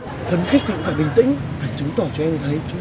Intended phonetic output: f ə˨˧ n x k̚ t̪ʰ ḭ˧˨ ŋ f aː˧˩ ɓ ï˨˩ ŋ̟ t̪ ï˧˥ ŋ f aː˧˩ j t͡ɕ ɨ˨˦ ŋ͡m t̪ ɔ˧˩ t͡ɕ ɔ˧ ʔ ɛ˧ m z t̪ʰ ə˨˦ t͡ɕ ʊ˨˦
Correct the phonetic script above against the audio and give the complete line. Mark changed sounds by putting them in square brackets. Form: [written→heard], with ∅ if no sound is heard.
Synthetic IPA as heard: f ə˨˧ n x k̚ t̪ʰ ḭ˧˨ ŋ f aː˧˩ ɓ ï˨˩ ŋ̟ t̪ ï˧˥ ŋ f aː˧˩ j t͡ɕ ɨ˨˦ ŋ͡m t̪ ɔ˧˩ t͡ɕ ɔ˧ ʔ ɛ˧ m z t̪ʰ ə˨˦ t͡ɕ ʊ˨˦